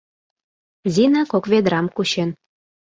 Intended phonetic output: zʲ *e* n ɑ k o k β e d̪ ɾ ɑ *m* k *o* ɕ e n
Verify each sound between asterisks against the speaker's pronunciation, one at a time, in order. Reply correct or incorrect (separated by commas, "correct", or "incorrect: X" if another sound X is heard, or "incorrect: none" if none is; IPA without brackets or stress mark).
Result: incorrect: i, correct, incorrect: u